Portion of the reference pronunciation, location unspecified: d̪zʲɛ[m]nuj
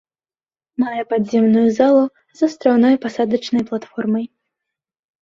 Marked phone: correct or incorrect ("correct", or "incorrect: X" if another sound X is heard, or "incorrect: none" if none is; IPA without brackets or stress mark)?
correct